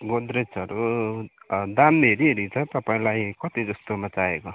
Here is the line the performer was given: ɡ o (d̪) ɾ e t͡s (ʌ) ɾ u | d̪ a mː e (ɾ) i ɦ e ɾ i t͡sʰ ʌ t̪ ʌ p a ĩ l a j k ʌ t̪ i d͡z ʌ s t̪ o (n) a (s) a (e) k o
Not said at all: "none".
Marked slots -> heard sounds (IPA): d̪, ʌ, ɾ, m, t͡s, e

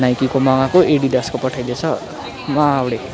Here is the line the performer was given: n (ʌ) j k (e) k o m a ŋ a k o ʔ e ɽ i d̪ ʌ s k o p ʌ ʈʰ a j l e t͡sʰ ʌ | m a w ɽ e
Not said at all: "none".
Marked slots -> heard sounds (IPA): a, i

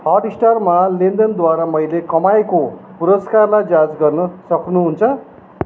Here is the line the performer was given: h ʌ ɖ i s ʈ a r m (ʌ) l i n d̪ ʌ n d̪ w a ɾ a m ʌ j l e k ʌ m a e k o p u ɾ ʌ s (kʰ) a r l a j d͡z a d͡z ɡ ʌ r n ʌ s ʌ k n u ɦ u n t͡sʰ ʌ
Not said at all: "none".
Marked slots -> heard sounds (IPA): a, k

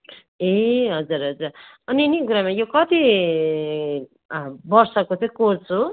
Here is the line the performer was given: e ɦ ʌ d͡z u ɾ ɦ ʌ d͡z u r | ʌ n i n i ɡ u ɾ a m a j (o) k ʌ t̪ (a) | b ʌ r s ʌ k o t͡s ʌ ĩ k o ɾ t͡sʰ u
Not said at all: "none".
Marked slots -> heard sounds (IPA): o, i

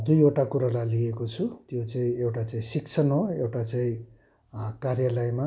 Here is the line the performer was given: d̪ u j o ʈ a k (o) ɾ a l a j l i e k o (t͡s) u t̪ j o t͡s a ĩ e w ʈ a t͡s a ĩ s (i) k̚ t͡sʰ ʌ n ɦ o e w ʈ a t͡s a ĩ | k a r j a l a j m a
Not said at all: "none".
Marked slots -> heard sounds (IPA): u, t͡sʰ, i

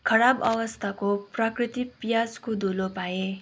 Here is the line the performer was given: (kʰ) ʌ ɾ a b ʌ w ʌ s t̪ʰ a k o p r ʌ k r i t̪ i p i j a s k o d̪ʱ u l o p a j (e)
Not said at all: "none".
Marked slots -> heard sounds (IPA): kʰ, e

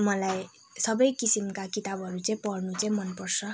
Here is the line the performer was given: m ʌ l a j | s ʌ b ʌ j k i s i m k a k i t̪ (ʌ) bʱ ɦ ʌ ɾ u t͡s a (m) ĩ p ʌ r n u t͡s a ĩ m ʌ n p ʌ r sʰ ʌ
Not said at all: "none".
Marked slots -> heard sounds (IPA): a, none

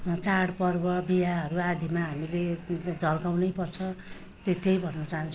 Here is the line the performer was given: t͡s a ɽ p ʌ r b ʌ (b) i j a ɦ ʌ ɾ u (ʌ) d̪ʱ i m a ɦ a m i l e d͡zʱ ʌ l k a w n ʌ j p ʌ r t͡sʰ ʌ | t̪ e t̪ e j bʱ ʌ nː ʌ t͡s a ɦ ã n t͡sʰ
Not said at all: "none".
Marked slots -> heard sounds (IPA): b, a

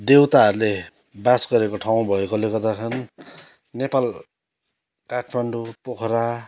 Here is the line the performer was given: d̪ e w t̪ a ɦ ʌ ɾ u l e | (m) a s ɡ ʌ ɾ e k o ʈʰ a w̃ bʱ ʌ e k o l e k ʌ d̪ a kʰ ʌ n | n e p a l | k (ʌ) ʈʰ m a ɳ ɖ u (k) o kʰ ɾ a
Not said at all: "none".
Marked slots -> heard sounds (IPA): b, a, p

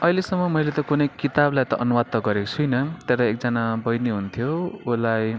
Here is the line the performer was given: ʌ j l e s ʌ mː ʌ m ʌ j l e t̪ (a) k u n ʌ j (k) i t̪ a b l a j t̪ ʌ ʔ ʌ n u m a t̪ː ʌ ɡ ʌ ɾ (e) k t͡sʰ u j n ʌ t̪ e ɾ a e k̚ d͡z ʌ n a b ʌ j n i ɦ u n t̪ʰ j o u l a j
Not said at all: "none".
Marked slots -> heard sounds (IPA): ʌ, k, e

